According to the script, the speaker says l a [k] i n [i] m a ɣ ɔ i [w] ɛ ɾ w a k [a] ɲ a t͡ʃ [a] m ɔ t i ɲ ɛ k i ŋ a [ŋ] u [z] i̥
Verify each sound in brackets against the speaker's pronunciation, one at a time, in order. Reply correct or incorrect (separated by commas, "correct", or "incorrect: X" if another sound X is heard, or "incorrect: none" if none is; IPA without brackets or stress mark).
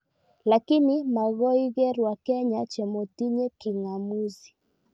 correct, correct, incorrect: ɣ, incorrect: ɛ, incorrect: ɛ, incorrect: m, correct